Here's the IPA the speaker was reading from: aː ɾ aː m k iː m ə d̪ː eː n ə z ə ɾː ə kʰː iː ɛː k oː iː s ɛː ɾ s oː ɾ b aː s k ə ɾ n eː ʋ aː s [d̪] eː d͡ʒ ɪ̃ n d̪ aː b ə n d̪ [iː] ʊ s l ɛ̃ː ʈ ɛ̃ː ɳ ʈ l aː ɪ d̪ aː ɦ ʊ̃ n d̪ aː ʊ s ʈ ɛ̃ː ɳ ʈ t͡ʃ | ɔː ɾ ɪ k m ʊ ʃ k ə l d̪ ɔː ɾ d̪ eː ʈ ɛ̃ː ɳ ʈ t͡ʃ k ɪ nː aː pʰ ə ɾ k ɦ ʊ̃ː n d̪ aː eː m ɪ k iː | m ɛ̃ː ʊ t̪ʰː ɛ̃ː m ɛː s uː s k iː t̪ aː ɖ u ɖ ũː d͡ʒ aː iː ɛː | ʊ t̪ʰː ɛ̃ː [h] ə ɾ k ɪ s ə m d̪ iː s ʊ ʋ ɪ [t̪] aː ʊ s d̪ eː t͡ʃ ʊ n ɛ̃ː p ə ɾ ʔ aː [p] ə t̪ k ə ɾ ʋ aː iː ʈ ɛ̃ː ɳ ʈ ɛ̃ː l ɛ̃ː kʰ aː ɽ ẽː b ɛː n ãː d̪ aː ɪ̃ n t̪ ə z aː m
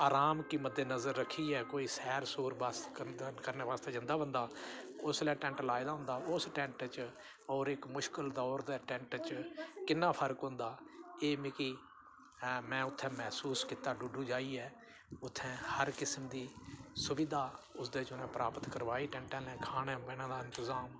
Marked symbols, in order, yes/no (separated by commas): no, no, yes, no, yes